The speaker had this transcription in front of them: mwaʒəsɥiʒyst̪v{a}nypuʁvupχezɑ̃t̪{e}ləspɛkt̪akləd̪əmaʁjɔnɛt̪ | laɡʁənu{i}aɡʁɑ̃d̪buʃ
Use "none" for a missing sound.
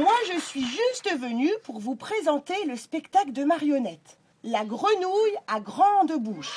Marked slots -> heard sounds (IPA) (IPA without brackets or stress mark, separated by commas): ə, e, j